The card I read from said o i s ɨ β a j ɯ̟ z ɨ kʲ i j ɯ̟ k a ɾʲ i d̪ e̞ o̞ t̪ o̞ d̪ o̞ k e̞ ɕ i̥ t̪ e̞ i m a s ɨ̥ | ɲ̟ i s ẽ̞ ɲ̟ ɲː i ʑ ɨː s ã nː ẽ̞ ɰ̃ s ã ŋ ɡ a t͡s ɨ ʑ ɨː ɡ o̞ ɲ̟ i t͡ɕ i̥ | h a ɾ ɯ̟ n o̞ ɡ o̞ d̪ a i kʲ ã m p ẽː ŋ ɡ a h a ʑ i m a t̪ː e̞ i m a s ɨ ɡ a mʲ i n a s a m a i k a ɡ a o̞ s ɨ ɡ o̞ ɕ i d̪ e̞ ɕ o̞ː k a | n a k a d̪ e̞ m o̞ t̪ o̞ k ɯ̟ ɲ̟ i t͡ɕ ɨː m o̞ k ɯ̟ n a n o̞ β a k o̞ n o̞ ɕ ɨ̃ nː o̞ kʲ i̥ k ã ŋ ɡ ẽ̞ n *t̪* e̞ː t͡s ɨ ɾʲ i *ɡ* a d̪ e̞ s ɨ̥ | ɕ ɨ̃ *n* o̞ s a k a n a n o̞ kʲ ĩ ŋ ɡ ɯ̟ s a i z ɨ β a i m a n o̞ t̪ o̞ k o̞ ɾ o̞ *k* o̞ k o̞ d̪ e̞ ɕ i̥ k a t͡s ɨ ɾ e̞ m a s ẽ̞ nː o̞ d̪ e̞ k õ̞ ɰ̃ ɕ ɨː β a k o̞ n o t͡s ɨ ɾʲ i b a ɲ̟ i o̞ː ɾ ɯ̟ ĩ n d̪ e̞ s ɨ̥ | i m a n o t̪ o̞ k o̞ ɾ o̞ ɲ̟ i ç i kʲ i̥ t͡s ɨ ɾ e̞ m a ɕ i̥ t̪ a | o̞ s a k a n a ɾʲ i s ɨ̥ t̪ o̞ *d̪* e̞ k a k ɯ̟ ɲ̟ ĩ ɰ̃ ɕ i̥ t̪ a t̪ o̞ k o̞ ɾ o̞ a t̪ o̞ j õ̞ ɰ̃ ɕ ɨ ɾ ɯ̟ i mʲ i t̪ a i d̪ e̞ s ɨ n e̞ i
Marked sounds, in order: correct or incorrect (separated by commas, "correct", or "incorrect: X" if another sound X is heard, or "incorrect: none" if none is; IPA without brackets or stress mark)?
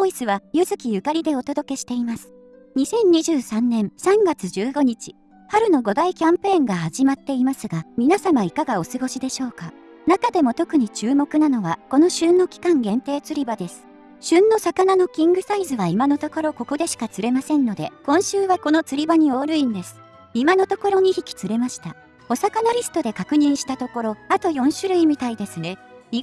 correct, incorrect: b, incorrect: nː, correct, correct